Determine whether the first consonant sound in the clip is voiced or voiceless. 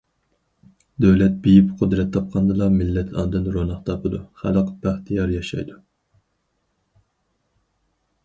voiced